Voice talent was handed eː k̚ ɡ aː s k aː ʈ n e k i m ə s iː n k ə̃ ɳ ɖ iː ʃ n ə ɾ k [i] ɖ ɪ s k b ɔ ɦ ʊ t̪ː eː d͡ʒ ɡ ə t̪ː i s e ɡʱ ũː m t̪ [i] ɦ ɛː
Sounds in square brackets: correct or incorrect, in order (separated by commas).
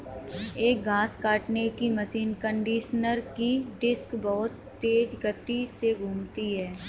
correct, correct